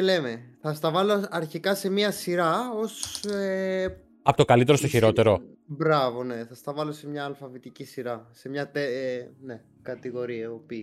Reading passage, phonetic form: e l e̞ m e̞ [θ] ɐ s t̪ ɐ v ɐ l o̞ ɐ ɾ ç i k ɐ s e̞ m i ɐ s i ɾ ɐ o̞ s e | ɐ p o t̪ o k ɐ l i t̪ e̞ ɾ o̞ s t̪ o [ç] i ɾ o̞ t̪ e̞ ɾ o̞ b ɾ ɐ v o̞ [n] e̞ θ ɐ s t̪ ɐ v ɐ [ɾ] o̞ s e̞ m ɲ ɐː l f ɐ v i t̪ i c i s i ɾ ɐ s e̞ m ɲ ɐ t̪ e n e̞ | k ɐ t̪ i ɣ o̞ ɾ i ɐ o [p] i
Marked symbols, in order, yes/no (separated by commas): yes, yes, yes, no, yes